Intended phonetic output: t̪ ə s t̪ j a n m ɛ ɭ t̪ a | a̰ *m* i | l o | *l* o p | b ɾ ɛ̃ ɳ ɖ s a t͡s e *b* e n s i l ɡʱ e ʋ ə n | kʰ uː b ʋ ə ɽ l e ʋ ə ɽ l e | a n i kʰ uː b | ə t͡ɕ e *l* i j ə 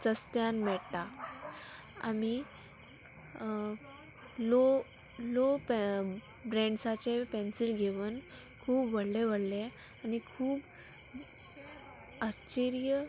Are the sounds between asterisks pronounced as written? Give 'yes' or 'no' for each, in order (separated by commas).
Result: yes, yes, no, no